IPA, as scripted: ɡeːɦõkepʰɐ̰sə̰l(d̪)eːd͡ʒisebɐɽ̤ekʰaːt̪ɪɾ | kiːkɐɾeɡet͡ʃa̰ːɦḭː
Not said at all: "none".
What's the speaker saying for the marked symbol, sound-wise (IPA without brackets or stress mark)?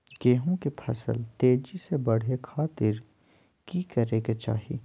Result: t̪